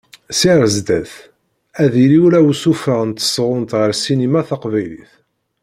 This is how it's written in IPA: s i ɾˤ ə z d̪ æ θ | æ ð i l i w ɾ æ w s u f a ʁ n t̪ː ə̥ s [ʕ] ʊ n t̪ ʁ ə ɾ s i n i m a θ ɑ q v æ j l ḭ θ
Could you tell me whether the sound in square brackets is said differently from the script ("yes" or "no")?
yes